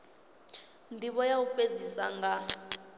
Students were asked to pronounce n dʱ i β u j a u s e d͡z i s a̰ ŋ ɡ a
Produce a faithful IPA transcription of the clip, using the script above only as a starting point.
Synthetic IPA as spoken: n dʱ i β ɔ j a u f e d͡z i s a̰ ŋ ɡ a